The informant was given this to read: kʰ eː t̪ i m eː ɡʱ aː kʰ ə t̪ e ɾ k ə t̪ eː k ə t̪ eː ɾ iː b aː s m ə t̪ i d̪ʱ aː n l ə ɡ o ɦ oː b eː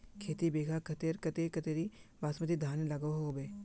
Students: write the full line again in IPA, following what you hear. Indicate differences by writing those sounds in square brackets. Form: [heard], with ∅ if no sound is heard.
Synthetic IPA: kʰ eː t̪ i [b] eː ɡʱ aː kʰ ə t̪ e ɾ k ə t̪ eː k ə t̪ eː ɾ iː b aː s m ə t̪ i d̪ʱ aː n l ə ɡ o ɦ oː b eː